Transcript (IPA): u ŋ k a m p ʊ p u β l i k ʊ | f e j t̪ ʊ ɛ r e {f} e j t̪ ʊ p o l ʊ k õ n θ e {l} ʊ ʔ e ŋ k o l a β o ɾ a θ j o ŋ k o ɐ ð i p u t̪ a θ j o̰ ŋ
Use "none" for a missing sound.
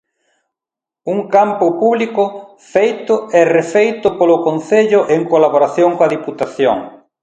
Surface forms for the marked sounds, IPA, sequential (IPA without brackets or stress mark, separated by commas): f, ʎ